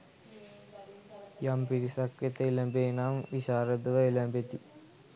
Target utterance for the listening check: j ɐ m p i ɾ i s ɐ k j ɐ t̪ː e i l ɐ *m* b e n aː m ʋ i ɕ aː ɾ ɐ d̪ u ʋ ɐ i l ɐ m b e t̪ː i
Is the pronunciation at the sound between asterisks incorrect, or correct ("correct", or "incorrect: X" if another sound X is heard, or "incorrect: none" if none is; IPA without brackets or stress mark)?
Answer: correct